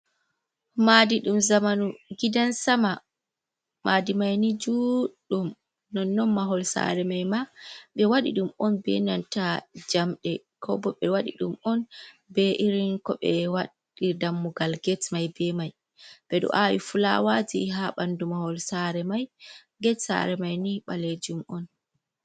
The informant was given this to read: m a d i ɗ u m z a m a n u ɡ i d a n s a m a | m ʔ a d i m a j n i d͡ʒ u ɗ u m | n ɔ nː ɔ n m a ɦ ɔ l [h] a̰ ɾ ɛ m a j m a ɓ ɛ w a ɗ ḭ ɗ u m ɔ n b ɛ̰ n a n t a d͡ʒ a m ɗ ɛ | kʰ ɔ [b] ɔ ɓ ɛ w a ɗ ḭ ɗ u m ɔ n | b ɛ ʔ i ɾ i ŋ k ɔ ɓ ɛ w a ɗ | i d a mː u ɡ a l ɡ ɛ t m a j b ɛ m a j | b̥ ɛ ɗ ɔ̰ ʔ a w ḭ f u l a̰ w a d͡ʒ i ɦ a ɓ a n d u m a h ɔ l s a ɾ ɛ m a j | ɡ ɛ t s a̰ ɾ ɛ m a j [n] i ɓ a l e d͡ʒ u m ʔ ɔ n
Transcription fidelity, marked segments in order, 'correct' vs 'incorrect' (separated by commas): incorrect, correct, correct